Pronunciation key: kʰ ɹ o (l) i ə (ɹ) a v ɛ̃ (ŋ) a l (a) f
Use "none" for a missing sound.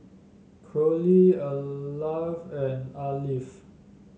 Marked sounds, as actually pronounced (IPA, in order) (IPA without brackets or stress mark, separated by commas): l, l, n, i